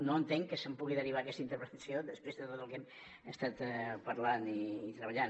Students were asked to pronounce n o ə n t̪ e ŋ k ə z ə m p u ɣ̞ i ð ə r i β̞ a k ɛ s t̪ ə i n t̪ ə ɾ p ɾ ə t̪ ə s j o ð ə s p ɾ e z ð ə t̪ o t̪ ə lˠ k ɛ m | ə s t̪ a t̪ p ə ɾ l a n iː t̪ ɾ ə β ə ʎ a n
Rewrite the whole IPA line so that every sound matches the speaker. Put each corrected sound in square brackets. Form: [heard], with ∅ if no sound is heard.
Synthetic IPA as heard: n o ə n t̪ e ŋ k ə [s] ə m p u ɣ̞ i ð ə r i β̞ a k ɛ s t̪ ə i n t̪ ə ɾ p ɾ ə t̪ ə s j o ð ə s p ɾ e z ð ə t̪ o t̪ ə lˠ k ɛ m | ə s t̪ a t̪ p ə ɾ l a n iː t̪ ɾ ə β ə ʎ a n